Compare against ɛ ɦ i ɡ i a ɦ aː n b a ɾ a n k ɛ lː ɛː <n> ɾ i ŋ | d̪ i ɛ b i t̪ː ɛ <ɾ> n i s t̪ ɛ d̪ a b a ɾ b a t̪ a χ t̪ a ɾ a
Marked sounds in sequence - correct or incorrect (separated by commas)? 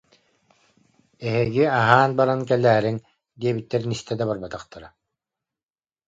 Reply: incorrect, correct